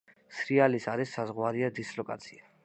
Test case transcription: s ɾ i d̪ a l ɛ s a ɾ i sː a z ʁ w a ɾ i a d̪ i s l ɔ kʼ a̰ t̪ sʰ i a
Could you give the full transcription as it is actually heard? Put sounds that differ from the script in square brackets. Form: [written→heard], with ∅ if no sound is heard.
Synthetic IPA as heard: s ɾ i [d̪→∅] a l [ɛ→i] s a ɾ i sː a z ʁ w a ɾ i a d̪ i s l ɔ kʼ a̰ t̪ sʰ i a